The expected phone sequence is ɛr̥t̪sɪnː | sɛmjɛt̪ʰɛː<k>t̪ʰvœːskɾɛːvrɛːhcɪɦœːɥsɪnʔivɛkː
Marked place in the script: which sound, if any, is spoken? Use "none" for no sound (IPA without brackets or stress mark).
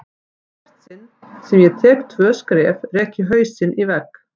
k